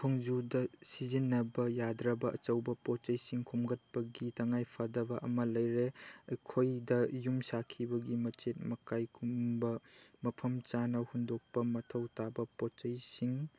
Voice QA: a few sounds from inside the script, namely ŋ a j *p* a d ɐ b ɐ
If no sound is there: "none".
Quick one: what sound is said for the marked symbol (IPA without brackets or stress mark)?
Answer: pʰ